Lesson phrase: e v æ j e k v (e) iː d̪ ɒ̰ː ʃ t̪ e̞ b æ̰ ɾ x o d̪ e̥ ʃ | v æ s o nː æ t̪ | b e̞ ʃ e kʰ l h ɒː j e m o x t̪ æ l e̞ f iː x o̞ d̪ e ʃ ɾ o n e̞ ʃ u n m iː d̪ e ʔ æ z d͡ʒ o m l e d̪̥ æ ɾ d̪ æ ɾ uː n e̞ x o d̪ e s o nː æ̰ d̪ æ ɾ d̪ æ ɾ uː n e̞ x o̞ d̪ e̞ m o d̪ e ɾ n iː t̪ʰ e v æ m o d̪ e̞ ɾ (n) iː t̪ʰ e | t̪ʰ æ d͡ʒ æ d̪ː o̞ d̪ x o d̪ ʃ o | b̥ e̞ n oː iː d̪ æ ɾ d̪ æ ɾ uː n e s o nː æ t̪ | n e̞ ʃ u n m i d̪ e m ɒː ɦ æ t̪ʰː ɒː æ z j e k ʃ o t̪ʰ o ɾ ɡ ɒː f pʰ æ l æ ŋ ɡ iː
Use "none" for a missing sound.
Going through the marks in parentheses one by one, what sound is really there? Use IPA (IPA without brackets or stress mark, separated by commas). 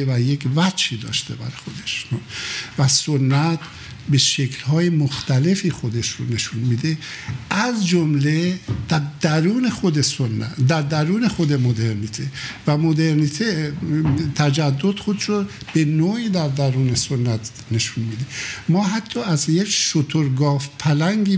æ, n